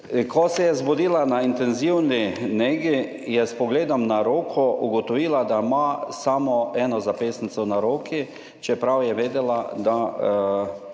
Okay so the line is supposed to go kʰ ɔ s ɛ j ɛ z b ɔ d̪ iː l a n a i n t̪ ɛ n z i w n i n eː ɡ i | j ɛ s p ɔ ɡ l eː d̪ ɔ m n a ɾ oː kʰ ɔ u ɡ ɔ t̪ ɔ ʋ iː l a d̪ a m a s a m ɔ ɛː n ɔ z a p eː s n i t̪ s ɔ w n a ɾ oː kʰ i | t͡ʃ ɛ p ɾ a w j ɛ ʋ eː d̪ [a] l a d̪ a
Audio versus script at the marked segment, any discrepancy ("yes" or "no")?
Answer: yes